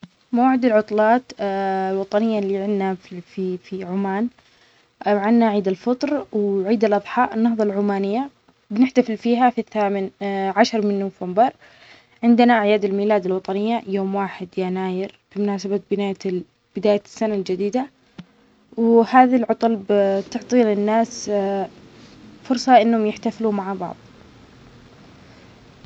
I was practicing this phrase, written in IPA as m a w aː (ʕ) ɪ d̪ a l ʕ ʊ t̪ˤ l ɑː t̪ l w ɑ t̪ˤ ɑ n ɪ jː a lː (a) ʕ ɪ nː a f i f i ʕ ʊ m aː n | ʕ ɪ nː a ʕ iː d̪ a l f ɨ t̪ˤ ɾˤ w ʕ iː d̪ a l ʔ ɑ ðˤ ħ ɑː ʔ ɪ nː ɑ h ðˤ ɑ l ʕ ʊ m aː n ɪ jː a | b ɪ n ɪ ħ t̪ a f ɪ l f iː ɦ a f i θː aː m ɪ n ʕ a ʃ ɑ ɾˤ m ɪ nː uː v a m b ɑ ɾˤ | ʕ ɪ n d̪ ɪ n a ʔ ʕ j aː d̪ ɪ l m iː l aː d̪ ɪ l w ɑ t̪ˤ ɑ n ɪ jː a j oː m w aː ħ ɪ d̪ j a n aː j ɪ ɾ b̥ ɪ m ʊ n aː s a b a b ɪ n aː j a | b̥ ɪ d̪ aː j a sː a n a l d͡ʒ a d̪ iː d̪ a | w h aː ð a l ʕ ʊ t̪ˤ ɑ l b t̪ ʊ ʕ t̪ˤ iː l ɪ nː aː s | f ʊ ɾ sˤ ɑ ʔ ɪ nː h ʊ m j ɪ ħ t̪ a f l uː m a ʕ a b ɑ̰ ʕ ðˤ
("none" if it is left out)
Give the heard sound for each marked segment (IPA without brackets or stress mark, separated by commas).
ʕ, i